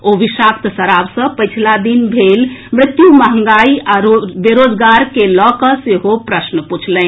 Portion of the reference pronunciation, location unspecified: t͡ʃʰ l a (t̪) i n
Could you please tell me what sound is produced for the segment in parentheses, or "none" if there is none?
d̪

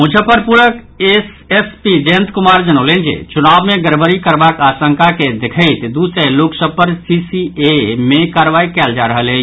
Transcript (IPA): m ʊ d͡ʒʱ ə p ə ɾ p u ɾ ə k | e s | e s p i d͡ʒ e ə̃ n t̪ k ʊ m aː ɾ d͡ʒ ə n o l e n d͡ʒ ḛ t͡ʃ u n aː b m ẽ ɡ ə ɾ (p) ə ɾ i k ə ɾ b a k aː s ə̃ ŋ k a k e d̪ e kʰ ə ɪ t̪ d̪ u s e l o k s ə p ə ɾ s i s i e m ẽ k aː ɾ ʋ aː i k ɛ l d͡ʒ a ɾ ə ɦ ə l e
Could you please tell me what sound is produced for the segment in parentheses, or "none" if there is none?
b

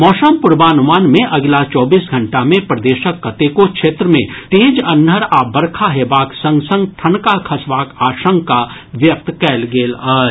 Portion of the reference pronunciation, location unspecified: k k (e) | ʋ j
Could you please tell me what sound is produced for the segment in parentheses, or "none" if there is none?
a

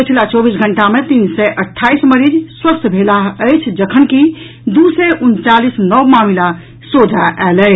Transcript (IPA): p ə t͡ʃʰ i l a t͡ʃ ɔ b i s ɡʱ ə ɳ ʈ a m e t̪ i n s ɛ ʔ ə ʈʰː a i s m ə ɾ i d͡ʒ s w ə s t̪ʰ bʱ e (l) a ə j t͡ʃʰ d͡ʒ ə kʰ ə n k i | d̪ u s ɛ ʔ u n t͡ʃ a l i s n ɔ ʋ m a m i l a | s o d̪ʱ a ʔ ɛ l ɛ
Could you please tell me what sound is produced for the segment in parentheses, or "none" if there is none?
l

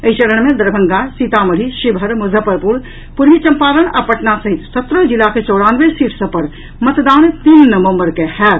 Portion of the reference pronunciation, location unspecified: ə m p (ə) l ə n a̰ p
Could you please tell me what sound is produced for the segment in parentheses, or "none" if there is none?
a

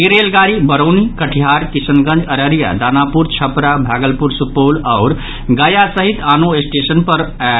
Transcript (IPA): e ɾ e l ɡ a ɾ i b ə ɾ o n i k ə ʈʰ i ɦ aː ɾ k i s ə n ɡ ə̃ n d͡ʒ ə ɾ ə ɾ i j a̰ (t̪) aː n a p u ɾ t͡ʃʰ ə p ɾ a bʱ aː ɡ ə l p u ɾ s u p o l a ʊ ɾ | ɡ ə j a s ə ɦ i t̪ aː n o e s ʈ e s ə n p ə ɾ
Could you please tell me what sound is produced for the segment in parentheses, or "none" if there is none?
d̪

